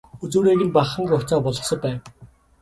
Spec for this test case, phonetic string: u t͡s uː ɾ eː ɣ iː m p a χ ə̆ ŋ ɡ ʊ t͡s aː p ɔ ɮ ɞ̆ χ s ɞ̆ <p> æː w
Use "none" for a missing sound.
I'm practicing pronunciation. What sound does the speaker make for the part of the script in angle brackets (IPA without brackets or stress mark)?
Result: p